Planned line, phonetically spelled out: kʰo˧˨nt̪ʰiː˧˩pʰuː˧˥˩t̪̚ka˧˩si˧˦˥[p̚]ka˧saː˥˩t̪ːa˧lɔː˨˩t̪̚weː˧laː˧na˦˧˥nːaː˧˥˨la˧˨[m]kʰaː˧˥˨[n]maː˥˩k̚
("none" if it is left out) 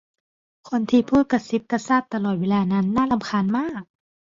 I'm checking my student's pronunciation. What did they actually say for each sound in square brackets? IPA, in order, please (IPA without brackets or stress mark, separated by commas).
p̚, m, n